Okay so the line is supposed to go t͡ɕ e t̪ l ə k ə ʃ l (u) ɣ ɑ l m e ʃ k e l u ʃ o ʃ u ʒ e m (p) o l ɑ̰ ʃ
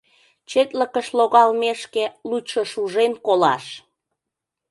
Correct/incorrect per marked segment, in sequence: incorrect, incorrect

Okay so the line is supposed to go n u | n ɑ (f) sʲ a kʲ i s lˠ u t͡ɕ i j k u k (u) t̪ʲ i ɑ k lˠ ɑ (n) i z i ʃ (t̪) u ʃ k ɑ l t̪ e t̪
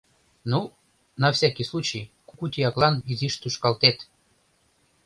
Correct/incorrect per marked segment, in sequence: correct, correct, correct, correct

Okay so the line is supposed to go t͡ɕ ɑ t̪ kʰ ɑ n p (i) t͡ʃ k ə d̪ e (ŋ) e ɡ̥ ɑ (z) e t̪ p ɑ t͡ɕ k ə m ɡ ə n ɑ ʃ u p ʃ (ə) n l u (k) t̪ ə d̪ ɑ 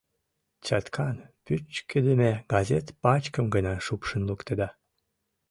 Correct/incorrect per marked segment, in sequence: incorrect, incorrect, correct, correct, correct

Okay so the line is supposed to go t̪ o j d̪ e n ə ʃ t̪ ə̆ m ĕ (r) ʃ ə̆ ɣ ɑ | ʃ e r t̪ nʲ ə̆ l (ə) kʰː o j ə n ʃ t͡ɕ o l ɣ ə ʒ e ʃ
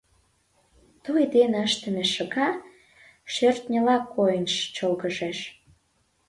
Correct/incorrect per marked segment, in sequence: incorrect, incorrect

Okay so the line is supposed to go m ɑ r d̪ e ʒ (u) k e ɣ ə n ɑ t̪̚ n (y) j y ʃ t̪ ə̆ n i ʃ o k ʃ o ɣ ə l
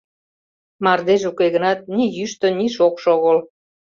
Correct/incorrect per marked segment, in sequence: correct, incorrect

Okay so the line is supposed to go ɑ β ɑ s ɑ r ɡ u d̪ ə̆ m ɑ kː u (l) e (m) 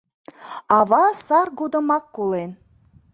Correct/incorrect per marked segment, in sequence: correct, incorrect

